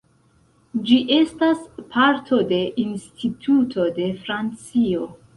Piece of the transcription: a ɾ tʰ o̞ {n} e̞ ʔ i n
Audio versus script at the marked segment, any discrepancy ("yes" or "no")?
yes